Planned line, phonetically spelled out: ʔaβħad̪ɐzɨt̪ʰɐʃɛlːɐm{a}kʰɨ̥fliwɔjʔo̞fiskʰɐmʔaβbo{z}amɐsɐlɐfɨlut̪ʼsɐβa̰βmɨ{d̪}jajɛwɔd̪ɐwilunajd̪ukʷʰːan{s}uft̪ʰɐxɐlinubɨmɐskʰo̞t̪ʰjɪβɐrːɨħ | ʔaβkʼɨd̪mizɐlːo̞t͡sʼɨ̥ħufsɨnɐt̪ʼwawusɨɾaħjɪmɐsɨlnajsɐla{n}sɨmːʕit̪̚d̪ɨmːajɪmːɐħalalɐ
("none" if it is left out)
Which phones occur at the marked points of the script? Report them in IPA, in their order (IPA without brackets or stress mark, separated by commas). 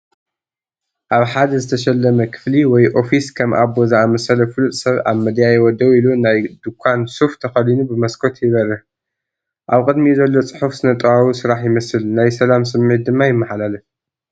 ɐ, z, d̪, s, m